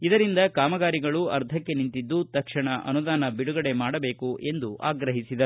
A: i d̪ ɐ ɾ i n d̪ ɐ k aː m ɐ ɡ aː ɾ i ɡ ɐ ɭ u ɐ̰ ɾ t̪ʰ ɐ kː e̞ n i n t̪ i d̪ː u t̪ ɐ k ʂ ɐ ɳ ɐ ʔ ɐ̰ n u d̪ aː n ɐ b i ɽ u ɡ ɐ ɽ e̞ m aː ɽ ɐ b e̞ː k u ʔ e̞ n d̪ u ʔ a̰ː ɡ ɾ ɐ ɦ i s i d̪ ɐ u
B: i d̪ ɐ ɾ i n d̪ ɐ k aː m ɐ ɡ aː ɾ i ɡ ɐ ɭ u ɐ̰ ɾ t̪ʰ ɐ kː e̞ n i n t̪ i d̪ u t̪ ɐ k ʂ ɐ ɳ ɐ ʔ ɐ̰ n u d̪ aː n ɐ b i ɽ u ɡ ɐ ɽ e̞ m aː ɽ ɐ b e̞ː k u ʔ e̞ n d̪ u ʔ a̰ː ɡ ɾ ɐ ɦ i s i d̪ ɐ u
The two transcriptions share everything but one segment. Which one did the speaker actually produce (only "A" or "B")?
A